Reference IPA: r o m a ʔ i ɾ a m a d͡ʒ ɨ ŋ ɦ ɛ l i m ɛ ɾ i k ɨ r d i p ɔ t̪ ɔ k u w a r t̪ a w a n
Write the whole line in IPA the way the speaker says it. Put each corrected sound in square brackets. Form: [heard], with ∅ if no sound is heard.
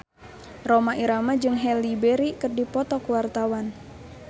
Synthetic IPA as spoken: r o m a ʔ i ɾ a m a d͡ʒ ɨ ŋ ɦ ɛ l i [b] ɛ ɾ i k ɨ r d i p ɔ t̪ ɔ k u w a r t̪ a w a n

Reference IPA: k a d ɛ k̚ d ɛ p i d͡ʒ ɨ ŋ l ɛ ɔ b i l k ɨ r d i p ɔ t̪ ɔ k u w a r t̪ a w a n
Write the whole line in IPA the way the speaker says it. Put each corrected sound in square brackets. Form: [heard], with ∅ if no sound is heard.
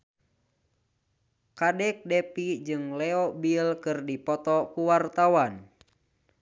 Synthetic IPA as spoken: k a d ɛ k̚ d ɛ p i d͡ʒ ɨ ŋ l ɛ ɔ b i l k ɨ r d i p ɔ t̪ ɔ k u w a r t̪ a w a n

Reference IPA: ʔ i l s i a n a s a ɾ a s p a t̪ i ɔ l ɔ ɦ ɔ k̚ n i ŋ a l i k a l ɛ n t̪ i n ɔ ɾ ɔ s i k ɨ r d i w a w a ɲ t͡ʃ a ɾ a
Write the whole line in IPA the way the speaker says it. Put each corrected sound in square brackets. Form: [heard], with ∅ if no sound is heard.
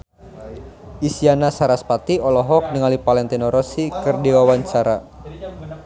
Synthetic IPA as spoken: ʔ i [∅] s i a n a s a ɾ a s p a t̪ i ɔ l ɔ ɦ ɔ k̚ n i ŋ a l i [p] a l ɛ n t̪ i n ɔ ɾ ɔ s i k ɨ r d i w a w a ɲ t͡ʃ a ɾ a

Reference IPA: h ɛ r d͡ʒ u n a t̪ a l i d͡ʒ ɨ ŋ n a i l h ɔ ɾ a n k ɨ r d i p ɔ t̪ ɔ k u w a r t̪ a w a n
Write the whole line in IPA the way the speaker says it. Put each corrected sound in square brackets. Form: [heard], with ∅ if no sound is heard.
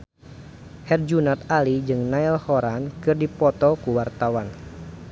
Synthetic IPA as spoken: h ɛ r d͡ʒ u n a t̪ a l i d͡ʒ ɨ ŋ n a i l h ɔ ɾ a n k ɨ r d i p ɔ t̪ ɔ k u w a r t̪ a w a n

